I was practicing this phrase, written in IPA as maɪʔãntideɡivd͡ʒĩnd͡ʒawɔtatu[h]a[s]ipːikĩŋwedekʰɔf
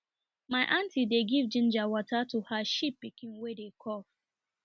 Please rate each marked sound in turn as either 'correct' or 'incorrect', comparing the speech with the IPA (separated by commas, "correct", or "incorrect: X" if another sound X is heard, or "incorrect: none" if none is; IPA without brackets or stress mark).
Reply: correct, incorrect: ʃ